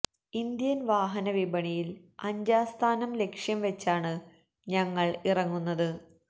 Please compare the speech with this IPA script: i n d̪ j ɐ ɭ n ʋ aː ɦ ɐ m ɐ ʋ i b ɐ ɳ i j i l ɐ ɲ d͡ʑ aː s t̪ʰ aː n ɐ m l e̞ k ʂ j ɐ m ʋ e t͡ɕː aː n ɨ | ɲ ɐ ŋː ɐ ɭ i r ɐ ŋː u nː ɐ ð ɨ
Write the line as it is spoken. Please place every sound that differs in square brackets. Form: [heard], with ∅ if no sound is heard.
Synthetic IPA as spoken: i n d̪ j ɐ [∅] n ʋ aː ɦ ɐ [n] ɐ ʋ i b ɐ ɳ i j i l ɐ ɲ d͡ʑ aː s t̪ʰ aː n ɐ m l e̞ k ʂ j ɐ m ʋ e t͡ɕː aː [ɳ] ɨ | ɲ ɐ ŋː ɐ ɭ i r ɐ ŋː u nː ɐ ð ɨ